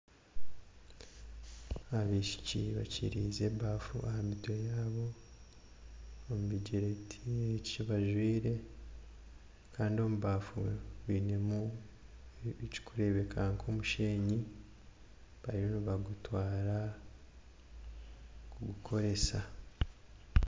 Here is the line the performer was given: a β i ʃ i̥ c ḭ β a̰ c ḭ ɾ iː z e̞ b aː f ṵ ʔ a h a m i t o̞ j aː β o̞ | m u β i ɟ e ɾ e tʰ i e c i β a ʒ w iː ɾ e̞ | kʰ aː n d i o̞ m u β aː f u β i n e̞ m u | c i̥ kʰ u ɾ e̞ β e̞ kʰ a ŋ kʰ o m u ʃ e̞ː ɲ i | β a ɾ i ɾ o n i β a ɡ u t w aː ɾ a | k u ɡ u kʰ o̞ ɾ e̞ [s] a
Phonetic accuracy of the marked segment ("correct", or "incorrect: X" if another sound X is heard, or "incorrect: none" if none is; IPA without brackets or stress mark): correct